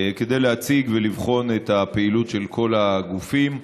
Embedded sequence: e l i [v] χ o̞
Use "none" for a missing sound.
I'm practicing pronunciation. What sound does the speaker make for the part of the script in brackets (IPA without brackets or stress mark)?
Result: v